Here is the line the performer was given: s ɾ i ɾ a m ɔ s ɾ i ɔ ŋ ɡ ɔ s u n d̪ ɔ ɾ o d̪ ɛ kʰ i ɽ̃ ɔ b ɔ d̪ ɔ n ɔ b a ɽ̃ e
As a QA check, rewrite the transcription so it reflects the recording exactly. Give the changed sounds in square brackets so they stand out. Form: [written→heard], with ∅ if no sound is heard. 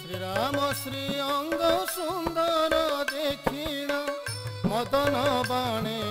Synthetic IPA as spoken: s ɾ i ɾ a m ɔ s ɾ i ɔ ŋ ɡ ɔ s u n d̪ ɔ ɾ [o→ɔ] d̪ [ɛ→e] kʰ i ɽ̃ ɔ [b→m] ɔ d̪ ɔ n ɔ b a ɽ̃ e